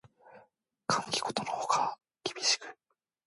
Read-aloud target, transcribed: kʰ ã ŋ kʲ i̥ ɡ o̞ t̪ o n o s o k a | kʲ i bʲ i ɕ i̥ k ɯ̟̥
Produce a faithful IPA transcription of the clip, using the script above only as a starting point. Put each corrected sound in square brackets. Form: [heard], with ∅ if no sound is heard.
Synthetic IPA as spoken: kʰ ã ŋ kʲ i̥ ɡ o̞ t̪ o n o [h] o k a | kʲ i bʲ i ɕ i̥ k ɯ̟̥